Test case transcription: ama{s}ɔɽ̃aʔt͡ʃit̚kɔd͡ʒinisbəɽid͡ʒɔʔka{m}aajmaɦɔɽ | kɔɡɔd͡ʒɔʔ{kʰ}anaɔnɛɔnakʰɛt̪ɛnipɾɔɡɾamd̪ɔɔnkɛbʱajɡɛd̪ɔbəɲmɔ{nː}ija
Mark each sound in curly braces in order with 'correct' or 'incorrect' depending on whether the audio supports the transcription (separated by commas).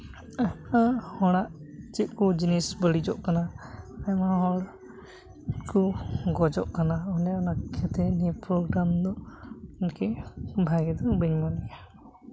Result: incorrect, incorrect, incorrect, incorrect